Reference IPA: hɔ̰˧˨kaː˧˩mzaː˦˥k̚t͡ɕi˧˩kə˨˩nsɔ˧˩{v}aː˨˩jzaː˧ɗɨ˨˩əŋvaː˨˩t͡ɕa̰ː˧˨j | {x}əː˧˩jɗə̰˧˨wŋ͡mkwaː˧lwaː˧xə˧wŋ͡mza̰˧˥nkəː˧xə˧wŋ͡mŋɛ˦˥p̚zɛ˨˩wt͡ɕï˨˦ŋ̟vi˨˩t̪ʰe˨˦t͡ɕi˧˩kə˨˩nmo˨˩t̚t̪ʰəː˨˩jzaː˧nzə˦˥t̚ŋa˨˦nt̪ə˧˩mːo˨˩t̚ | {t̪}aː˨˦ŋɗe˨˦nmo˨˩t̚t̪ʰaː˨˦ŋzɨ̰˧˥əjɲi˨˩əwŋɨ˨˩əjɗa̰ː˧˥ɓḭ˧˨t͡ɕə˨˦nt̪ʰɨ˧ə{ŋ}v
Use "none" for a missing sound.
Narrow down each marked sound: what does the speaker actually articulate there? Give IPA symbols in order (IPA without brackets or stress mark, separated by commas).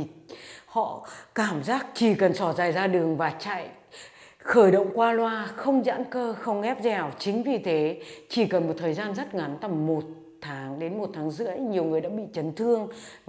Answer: z, x, t̪ʰ, ŋ